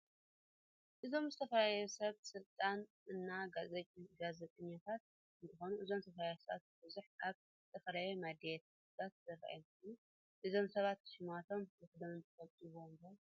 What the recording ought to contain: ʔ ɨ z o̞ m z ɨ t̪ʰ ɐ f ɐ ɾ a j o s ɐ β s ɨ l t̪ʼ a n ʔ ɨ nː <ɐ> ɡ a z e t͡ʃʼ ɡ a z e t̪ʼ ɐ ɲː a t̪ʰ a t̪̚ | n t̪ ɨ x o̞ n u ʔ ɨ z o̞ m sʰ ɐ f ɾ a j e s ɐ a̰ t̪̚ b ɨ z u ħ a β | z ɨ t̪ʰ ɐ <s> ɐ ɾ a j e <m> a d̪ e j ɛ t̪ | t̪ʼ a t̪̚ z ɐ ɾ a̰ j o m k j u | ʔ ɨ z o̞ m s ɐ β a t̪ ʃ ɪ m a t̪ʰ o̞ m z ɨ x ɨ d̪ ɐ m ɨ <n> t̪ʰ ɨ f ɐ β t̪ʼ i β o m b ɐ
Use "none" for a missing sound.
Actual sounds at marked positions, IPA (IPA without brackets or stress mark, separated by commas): a, f, m, n